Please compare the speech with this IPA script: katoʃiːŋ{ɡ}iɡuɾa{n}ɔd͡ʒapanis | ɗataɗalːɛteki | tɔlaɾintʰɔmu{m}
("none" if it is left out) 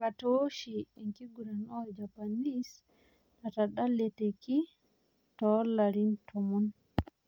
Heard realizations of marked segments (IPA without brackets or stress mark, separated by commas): k, n, n